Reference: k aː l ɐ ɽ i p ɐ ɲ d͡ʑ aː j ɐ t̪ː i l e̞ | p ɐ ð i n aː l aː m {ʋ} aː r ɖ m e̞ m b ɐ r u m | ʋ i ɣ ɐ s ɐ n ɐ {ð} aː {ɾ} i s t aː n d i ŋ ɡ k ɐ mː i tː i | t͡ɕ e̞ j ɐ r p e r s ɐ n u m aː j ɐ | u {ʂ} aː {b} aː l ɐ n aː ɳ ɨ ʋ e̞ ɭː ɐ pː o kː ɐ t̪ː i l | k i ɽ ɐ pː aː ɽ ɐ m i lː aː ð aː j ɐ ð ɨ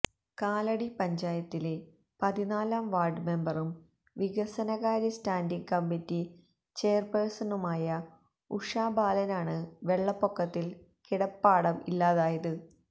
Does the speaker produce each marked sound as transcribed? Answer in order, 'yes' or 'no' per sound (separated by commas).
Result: yes, no, yes, yes, yes